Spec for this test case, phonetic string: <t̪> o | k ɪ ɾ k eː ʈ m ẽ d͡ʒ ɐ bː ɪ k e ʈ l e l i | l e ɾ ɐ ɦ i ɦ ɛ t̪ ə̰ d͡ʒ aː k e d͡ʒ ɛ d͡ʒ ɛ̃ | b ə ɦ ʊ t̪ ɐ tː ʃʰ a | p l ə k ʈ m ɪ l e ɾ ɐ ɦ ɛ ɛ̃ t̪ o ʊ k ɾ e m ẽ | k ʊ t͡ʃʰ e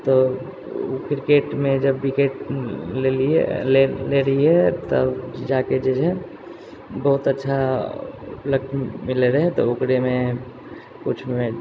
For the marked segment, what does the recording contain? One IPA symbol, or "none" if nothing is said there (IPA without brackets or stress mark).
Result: t̪